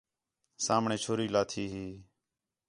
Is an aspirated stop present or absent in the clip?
present